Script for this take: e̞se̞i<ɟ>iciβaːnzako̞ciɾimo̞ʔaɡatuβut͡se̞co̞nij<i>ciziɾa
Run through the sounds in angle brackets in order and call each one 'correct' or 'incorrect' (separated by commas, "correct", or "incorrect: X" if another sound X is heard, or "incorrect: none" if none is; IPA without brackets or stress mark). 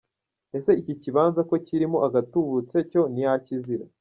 incorrect: c, incorrect: a